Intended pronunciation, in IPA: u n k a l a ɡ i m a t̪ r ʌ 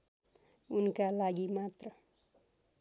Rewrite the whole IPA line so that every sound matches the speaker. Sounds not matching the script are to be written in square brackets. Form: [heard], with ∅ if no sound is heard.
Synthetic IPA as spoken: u n k a l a ɡ i m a t̪ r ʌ